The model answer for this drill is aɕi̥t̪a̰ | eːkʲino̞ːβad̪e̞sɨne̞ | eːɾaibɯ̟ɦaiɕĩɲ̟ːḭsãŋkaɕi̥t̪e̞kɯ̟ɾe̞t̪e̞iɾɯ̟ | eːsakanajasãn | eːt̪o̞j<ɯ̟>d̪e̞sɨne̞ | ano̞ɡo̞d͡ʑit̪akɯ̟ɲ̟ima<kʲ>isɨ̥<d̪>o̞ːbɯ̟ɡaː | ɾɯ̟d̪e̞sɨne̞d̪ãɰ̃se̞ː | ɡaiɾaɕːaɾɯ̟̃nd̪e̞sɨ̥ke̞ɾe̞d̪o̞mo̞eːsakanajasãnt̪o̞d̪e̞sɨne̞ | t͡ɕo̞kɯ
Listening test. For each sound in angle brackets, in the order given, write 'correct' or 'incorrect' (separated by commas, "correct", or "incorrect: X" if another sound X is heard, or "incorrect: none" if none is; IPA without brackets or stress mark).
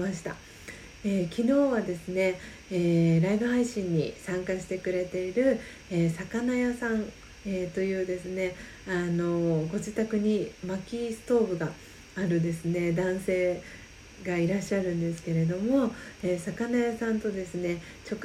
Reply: incorrect: ɯ̟ː, correct, incorrect: t̪